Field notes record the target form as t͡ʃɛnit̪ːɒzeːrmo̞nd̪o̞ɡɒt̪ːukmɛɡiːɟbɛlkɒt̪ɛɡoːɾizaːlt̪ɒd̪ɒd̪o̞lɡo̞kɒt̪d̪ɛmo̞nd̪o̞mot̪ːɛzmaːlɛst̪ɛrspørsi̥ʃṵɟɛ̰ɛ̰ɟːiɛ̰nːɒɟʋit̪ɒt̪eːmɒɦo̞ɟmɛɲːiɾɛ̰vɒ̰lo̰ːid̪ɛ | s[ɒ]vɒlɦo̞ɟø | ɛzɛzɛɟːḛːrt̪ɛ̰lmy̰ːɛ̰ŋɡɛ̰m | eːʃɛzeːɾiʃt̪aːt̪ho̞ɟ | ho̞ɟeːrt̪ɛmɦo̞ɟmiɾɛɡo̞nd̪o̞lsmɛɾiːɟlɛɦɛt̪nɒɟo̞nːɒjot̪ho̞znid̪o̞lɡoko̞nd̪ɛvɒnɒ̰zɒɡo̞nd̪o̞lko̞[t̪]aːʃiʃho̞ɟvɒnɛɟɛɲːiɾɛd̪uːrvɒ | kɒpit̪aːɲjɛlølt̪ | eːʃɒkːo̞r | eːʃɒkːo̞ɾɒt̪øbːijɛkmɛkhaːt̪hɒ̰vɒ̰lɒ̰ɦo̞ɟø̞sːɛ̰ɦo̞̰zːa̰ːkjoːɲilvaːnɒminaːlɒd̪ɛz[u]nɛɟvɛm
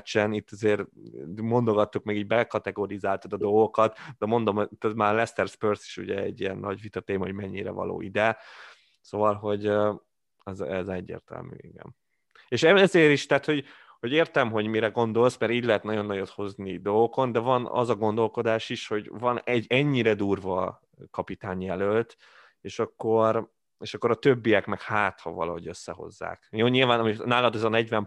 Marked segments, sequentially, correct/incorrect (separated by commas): incorrect, incorrect, incorrect